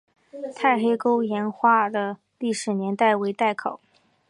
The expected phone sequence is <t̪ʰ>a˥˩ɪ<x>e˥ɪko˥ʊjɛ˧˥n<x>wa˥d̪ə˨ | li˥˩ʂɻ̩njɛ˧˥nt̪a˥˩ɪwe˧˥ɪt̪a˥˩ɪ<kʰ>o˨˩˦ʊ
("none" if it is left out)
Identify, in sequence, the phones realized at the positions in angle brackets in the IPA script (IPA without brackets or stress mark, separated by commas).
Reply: t̪ʰ, x, x, kʰ